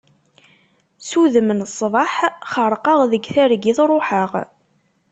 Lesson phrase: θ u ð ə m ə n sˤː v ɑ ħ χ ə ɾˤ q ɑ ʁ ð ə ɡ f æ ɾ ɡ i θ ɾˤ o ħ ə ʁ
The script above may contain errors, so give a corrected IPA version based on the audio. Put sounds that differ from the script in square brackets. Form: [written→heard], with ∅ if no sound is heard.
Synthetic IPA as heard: [θ→s] u ð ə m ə n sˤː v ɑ ħ χ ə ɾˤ q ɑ ʁ ð ə ɡ [f→θ] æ ɾ ɡ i θ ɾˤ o ħ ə ʁ